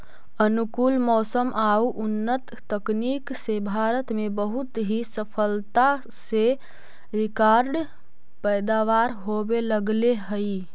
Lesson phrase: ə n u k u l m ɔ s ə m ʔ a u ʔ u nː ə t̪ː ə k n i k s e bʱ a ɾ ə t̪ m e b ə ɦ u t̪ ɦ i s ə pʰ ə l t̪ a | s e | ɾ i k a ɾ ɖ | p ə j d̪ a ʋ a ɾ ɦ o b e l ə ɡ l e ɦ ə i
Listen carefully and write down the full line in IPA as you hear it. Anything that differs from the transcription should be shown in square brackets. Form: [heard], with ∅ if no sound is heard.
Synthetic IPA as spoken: ə n u k u l m ɔ s ə m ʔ a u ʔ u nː ə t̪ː ə k n i k s e bʱ a ɾ ə t̪ m e b ə ɦ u t̪ ɦ i s ə pʰ ə l t̪ a | s e | ɾ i k a ɾ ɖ | p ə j d̪ a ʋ a ɾ ɦ o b e l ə ɡ l e ɦ ə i